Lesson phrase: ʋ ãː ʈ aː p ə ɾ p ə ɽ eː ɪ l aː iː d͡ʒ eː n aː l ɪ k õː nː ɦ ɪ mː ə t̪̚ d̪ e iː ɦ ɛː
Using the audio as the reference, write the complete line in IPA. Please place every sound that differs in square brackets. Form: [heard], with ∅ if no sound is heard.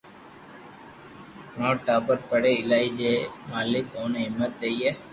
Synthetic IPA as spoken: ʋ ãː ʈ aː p ə ɾ p ə ɽ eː ɪ l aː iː d͡ʒ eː [m] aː l ɪ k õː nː ɦ ɪ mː ə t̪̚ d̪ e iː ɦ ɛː